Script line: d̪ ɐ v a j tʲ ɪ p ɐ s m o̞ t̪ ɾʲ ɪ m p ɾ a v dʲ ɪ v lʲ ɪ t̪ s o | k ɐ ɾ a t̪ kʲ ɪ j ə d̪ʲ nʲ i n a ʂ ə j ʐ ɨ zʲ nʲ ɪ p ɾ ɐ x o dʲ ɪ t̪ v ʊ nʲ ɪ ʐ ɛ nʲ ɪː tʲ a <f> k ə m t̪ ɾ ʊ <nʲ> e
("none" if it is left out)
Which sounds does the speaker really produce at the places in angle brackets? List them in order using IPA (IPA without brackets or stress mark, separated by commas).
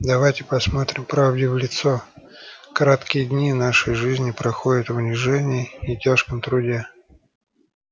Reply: ʂ, dʲ